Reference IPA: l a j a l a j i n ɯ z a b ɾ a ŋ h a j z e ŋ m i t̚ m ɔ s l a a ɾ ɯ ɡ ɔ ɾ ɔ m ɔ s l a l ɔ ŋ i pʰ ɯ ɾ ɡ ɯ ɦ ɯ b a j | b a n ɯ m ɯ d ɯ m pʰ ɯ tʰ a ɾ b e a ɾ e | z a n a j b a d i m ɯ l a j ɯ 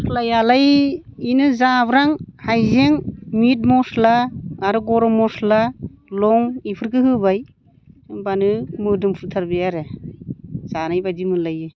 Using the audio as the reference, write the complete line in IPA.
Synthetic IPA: l a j a l a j i n ɯ z a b ɾ a ŋ h a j z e ŋ m i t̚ m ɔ s l a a ɾ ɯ ɡ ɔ ɾ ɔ m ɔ s l a l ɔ ŋ i pʰ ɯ ɾ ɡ ɯ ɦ ɯ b a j | b a n ɯ m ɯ d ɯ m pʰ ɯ tʰ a ɾ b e a ɾ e | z a n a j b a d i m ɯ l a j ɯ